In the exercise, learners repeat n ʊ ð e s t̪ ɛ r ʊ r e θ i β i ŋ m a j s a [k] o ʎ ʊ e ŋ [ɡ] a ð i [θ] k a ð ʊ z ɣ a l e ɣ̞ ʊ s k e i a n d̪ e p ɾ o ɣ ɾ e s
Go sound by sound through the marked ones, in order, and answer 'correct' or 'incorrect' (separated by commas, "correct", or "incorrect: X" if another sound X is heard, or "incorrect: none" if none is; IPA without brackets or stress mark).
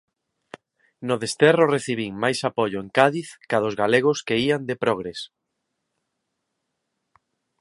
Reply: incorrect: p, incorrect: k, correct